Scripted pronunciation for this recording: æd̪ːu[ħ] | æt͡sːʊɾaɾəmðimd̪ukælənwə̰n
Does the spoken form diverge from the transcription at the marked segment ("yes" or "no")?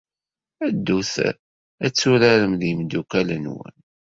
yes